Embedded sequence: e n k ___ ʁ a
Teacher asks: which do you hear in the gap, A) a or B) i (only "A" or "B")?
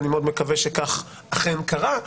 A